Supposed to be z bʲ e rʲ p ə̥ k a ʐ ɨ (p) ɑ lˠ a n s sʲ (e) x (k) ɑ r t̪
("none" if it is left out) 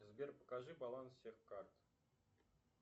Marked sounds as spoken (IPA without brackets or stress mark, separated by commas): b, e, k